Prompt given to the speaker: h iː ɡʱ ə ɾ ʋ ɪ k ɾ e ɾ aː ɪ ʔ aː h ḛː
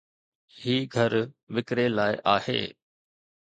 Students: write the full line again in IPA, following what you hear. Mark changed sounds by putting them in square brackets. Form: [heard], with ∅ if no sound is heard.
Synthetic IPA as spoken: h iː ɡʱ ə ɾ ʋ ɪ k ɾ e [l] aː ɪ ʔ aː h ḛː